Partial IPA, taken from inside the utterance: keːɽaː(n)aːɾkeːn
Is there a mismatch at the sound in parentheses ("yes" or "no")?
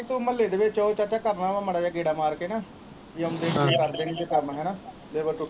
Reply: yes